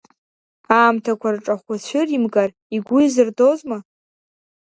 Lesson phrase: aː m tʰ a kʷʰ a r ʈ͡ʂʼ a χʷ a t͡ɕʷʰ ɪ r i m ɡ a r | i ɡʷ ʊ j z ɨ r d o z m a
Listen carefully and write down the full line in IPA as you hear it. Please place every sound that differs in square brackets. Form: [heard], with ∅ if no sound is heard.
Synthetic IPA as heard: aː m tʰ a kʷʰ a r ʈ͡ʂʼ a χʷ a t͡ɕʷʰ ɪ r i m ɡ a r | i ɡʷ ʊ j z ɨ r d o z m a